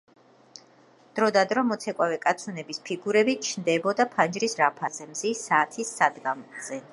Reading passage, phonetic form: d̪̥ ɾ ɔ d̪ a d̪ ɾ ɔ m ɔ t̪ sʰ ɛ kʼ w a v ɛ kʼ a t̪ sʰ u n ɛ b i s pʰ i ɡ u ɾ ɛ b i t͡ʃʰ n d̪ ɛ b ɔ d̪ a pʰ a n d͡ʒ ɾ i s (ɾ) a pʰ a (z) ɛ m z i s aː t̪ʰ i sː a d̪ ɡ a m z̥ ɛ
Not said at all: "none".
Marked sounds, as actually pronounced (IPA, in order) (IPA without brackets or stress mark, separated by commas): ɾ, z